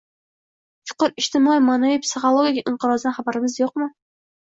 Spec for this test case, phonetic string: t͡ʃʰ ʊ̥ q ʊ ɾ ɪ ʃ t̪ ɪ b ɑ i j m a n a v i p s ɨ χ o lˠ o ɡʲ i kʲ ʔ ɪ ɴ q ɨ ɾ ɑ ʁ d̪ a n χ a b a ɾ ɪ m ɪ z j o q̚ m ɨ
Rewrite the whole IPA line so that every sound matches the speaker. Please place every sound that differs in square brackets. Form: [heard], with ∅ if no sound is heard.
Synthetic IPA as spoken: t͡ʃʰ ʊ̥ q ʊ ɾ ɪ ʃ t̪ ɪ [m] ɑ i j m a n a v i p s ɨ χ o lˠ o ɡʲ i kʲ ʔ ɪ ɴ q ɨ ɾ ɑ [z] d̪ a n χ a b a ɾ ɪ m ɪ z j o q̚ m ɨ